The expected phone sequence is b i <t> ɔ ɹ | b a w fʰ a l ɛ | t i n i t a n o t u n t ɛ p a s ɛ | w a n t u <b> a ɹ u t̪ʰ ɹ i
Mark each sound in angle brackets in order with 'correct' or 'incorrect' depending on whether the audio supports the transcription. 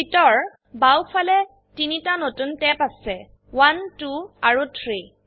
correct, incorrect: none

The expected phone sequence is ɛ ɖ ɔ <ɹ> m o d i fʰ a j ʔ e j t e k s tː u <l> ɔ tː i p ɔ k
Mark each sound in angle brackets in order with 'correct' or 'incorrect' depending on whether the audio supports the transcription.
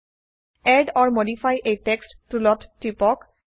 correct, correct

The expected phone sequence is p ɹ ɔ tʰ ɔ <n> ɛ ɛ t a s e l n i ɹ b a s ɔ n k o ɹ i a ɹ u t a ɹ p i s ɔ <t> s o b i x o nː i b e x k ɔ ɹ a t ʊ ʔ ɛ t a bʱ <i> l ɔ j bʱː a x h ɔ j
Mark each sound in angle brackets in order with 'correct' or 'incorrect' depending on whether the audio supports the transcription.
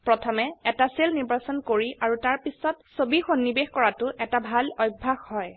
incorrect: m, correct, incorrect: a

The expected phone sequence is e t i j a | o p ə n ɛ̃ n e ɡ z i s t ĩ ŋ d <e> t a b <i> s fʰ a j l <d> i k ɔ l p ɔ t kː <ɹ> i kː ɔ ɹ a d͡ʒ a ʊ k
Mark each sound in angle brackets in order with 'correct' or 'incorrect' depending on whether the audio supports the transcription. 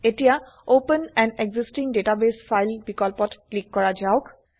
correct, incorrect: e, incorrect: b, incorrect: l

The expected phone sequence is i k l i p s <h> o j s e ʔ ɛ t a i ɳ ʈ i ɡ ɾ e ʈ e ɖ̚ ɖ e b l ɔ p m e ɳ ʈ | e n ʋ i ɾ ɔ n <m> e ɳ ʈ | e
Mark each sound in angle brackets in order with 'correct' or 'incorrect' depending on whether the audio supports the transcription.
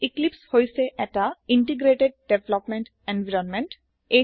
correct, correct

